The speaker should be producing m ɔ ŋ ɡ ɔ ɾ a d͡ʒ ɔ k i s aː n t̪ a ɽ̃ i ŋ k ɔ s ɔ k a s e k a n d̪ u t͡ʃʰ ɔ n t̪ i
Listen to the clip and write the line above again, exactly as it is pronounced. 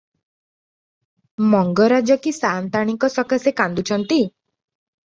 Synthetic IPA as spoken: m ɔ ŋ ɡ ɔ ɾ a d͡ʒ ɔ k i s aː n t̪ a ɽ̃ i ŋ k ɔ s ɔ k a s e k a n d̪ u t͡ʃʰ ɔ n t̪ i

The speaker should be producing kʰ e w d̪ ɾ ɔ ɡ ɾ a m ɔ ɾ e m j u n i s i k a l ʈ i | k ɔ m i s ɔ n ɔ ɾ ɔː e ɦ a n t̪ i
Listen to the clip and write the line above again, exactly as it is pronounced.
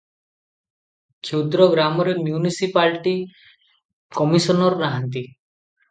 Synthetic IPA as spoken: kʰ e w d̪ ɾ ɔ ɡ ɾ a m ɔ ɾ e m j u n i s i p a l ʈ i | k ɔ m i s ɔ n ɔ ɾ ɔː a ɦ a n t̪ i

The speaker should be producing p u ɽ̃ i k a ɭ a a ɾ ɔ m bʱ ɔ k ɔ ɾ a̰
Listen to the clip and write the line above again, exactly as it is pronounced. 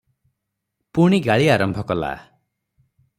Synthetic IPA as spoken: p u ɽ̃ i ɡ a ɭ i a ɾ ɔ m bʱ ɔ k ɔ l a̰

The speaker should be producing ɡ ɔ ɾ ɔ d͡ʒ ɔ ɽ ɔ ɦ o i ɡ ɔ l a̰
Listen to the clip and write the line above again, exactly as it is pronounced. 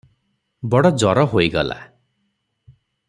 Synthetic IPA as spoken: b ɔ ɽ ɔ d͡ʒ ɔ ɾ ɔ ɦ o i ɡ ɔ l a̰

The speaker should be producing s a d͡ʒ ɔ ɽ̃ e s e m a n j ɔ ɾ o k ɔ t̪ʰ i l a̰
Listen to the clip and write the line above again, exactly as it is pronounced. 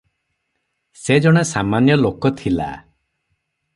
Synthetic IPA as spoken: s e d͡ʒ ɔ ɽ̃ e s a m a n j ɔ l o k ɔ t̪ʰ i l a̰

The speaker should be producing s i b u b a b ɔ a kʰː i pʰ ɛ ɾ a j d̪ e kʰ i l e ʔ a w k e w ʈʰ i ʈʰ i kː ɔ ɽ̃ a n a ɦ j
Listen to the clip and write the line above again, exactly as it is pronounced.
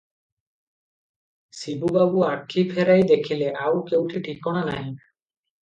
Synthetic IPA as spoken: s i b u b a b u a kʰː i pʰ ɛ ɾ a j d̪ e kʰ i l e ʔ a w k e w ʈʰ i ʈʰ i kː ɔ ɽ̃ a n a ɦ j

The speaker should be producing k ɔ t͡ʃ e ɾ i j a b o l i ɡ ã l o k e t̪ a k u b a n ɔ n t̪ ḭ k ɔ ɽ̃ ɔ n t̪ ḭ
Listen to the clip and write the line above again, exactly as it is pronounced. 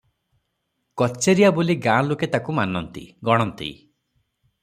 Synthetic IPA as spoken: k ɔ t͡ʃ e ɾ i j a b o l i ɡ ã l o k e t̪ a k u m a n ɔ n t̪ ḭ ɡ ɔ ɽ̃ ɔ n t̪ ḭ

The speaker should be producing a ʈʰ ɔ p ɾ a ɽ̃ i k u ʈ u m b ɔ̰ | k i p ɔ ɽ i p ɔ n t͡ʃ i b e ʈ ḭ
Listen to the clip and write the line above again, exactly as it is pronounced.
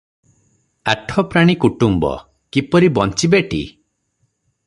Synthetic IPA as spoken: a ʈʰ ɔ p ɾ a ɽ̃ i k u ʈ u m b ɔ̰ | k i p ɔ ɾ i b ɔ n t͡ʃ i b e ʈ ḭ

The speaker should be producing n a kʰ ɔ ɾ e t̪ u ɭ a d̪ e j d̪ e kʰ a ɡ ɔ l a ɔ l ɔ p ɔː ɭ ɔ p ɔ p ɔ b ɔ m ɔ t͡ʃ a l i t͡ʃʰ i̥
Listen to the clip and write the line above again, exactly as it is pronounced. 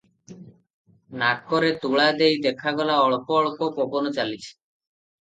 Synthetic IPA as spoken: n a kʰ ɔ ɾ e t̪ u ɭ a d̪ e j d̪ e kʰ a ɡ ɔ l a ɔ ɭ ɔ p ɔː ɭ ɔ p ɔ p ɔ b ɔ n ɔ t͡ʃ a l i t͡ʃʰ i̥

